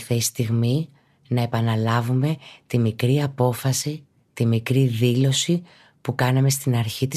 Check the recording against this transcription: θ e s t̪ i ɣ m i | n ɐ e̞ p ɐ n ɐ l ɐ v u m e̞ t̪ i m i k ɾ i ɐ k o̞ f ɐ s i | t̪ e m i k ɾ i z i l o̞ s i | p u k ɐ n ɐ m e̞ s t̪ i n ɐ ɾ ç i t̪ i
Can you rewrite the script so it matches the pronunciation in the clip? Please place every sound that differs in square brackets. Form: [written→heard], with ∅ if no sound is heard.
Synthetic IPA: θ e s t̪ i ɣ m i | n ɐ e̞ p ɐ n ɐ l ɐ v u m e̞ t̪ i m i k ɾ i ɐ [k→p] o̞ f ɐ s i | t̪ [e→i] m i k ɾ i [z→ð] i l o̞ s i | p u k ɐ n ɐ m e̞ s t̪ i n ɐ ɾ ç i t̪ i